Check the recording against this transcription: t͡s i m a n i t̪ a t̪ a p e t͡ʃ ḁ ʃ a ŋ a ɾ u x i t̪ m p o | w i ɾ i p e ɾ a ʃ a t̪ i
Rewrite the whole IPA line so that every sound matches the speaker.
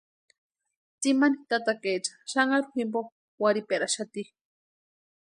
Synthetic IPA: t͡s i m a n i t̪ a t̪ a k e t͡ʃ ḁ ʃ a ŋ a ɾ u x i m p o | w a ɾ i p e ɾ a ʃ a t̪ i